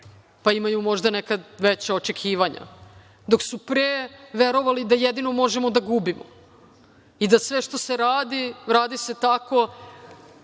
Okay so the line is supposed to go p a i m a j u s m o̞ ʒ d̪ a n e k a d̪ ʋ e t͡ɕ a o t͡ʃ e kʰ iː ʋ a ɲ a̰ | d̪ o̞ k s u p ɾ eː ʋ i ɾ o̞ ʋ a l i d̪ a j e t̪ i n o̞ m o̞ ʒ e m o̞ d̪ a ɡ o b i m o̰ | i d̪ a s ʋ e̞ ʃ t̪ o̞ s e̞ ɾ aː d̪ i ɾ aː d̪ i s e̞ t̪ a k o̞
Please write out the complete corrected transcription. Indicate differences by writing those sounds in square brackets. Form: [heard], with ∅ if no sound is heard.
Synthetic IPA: p a i m a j u [∅] m o̞ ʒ d̪ a n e k a d̪ ʋ e t͡ɕ a o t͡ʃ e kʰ iː ʋ a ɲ a̰ | d̪ o̞ k s u p ɾ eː ʋ [e] ɾ o̞ ʋ a l i d̪ a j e [d̪] i n o̞ m o̞ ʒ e m o̞ d̪ a ɡ [u] b i m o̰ | i d̪ a s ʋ e̞ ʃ t̪ o̞ s e̞ ɾ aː d̪ i ɾ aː d̪ i s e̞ t̪ a k o̞